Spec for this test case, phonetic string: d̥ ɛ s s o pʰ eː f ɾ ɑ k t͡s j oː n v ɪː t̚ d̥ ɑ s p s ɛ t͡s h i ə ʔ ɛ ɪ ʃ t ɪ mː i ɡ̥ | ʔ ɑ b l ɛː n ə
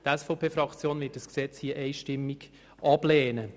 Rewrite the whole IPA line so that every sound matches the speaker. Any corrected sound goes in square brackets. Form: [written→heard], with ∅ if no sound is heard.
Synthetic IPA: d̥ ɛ s [s→f] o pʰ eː f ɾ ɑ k t͡s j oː n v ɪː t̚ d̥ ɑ s [p→k] s ɛ t͡s h i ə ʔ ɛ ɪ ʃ t ɪ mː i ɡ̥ | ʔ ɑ b l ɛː n ə